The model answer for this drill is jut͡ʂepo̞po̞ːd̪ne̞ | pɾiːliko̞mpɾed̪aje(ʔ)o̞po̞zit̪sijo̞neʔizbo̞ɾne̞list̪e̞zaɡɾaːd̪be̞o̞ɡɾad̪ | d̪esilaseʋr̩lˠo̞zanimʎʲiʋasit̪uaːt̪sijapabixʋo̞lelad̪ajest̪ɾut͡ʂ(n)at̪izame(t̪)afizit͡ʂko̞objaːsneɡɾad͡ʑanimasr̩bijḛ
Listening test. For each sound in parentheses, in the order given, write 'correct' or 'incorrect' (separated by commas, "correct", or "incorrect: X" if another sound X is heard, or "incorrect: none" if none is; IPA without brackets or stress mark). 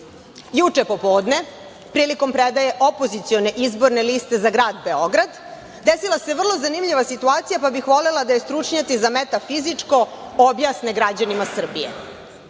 correct, incorrect: ɲ, correct